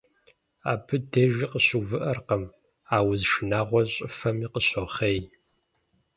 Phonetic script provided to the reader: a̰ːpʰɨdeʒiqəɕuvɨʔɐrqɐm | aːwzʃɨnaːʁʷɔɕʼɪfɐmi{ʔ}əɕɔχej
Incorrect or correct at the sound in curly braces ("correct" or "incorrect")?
incorrect